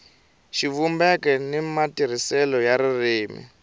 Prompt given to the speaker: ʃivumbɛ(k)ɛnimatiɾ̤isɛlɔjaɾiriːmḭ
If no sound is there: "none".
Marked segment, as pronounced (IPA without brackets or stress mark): k